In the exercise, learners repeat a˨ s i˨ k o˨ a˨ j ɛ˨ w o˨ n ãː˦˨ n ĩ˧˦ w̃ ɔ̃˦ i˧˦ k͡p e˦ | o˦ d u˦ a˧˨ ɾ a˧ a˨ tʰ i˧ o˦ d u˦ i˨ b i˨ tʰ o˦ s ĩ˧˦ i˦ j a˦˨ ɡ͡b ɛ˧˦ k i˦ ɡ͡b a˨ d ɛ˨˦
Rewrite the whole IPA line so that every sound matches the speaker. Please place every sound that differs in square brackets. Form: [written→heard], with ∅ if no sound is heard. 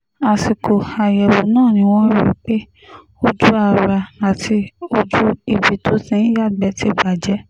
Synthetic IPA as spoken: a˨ s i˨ k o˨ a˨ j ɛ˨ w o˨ n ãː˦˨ n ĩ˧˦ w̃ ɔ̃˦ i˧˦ k͡p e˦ | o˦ [d→d͡ʒ] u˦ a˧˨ ɾ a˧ a˨ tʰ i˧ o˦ [d→d͡ʒ] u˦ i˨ b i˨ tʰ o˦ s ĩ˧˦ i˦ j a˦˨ ɡ͡b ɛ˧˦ [k→t] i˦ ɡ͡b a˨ [d→d͡ʒ] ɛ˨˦